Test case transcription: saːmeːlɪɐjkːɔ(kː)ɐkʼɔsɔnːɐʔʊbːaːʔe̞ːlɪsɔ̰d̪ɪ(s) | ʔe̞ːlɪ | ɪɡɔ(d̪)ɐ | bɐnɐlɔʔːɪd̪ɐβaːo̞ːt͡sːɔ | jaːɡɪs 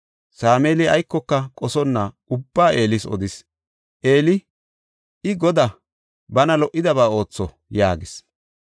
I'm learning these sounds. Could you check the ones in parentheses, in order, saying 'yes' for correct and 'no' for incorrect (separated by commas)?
yes, yes, yes